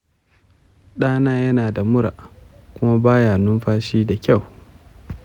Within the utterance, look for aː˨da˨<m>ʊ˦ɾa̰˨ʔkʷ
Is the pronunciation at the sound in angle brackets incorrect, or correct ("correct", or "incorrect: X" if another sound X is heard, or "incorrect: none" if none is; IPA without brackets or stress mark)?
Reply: correct